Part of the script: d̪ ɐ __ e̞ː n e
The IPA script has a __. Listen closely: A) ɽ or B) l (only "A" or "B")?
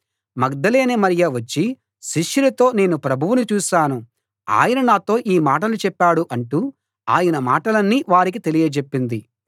B